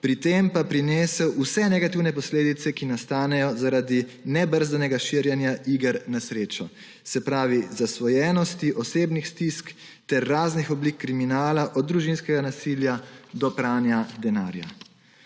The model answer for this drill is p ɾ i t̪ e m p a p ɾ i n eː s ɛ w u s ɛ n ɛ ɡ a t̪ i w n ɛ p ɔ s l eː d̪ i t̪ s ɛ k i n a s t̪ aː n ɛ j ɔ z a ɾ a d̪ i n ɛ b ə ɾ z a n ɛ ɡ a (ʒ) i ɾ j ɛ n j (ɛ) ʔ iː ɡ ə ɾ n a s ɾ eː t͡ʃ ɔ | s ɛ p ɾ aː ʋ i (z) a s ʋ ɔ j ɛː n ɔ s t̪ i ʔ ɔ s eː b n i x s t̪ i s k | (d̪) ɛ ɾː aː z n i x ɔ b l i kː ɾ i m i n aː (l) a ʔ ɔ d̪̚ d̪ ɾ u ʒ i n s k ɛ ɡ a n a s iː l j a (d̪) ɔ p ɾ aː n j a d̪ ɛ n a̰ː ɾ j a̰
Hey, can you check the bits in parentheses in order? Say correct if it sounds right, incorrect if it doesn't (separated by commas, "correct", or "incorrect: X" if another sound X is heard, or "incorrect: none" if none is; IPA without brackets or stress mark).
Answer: incorrect: ʃ, incorrect: a, correct, incorrect: t̪, correct, correct